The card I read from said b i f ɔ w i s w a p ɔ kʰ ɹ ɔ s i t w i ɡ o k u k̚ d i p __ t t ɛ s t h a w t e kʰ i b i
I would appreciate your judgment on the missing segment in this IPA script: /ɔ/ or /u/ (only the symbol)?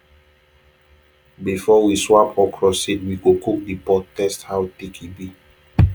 ɔ